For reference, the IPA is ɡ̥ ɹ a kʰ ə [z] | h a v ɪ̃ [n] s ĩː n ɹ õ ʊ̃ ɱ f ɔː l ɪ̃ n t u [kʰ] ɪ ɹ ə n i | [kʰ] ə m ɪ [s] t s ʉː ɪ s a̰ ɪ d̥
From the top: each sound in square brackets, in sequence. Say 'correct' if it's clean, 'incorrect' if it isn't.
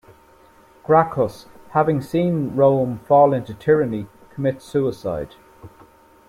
incorrect: s, incorrect: ŋ, incorrect: tʰ, correct, incorrect: none

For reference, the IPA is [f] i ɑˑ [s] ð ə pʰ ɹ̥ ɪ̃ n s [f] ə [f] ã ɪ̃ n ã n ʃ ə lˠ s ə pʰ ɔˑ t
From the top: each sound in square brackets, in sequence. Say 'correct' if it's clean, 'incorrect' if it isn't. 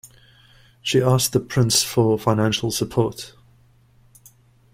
incorrect: ʃ, correct, correct, correct

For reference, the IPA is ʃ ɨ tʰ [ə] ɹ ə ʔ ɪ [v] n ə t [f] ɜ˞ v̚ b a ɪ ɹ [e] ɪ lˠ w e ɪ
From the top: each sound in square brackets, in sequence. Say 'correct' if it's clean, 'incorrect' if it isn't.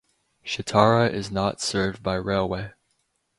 incorrect: ɑ, incorrect: z, incorrect: s, correct

